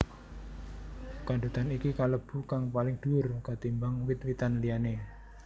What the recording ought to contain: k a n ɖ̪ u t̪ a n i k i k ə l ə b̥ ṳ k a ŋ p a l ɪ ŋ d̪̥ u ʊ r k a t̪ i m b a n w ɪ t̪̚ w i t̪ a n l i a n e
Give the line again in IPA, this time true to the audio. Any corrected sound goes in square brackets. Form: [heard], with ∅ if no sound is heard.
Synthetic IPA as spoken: k a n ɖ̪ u t̪ a n i k i k [a] l ə b̥ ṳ k a ŋ p a l ɪ ŋ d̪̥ u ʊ r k a t̪ i m b a [ŋ] w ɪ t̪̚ w i t̪ a n l i a n e